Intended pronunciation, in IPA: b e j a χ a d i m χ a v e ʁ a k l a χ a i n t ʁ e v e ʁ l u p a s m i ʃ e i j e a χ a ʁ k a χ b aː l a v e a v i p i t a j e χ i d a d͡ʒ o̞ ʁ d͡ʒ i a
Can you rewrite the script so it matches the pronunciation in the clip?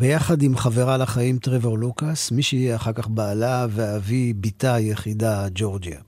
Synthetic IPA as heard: b e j a χ a d i m χ a v e ʁ a l a χ a i m t ʁ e v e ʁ l u k a s m i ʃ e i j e a χ a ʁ k a χ b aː l a v e a v i b i t a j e χ i d a d͡ʒ o̞ ʁ d͡ʒ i a